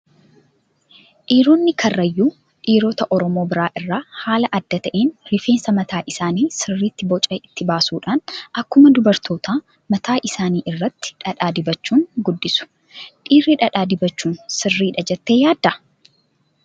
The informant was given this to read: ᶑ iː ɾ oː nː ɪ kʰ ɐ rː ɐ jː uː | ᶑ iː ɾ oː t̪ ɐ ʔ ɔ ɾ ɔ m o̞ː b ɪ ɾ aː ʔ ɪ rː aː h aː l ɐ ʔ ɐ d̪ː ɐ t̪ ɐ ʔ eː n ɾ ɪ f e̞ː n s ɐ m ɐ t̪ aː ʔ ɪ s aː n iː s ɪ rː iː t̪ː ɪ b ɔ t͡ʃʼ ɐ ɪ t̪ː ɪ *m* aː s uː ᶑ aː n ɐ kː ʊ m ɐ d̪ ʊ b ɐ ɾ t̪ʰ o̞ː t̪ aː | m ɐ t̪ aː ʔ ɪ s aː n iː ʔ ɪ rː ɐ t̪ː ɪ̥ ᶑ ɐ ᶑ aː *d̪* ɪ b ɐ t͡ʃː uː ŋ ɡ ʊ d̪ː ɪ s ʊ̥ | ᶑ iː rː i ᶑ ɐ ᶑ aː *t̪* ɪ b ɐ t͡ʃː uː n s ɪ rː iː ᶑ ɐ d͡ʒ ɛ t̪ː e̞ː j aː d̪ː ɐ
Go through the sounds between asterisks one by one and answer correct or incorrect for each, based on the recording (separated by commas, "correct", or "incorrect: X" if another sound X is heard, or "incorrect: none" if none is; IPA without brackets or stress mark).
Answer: incorrect: b, correct, incorrect: d̪